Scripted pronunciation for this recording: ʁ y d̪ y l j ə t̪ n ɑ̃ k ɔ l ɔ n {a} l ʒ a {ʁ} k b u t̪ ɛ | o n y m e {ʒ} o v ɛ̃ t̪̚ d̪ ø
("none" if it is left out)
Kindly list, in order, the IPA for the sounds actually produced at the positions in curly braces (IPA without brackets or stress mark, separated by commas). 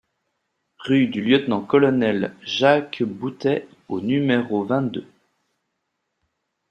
ɛ, none, ʁ